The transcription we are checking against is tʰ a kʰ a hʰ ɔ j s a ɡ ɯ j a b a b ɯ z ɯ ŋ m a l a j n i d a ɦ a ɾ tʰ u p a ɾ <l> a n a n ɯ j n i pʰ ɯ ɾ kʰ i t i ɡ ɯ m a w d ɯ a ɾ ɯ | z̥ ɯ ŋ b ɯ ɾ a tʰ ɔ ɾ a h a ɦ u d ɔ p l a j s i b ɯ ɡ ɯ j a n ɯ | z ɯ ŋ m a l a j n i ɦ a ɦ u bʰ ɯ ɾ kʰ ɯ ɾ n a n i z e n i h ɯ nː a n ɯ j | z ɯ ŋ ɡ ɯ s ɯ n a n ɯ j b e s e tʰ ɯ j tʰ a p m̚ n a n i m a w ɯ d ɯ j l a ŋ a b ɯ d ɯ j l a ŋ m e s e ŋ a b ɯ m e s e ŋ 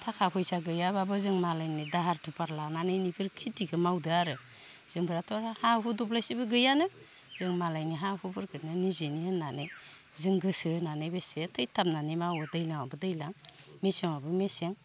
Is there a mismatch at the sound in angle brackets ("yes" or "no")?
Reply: no